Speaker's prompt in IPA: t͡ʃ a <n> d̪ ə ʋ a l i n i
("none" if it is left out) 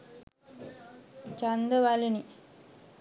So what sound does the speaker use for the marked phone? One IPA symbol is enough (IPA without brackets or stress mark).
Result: n